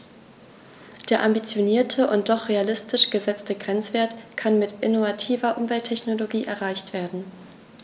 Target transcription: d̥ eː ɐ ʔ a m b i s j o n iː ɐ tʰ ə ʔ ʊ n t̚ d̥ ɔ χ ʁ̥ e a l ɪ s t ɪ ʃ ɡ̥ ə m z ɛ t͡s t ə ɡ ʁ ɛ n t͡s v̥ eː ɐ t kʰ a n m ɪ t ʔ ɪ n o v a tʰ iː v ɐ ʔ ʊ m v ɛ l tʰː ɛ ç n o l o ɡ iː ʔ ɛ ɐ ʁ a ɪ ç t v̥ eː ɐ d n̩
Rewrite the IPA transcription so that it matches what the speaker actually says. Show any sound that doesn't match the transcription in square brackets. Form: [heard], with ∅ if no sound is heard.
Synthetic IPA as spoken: d̥ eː ɐ ʔ a m b i [t͡s] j o n iː ɐ tʰ ə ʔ ʊ n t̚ d̥ ɔ χ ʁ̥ e a l ɪ s t ɪ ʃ ɡ̥ ə [∅] z ɛ t͡s t ə ɡ ʁ ɛ n t͡s v̥ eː ɐ t kʰ a n m ɪ t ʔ ɪ n o v a tʰ iː v ɐ ʔ ʊ m v ɛ l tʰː ɛ ç n o l o ɡ iː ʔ ɛ ɐ ʁ a ɪ ç t v̥ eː ɐ d n̩